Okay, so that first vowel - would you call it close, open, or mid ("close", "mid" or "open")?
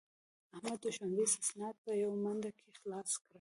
open